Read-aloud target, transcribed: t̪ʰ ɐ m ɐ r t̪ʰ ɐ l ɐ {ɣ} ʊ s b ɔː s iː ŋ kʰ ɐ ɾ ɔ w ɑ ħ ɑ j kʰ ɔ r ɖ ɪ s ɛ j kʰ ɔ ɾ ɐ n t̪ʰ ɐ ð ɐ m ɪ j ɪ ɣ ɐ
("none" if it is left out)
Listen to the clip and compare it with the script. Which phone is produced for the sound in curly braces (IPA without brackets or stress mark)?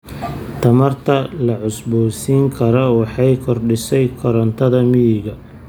ʕ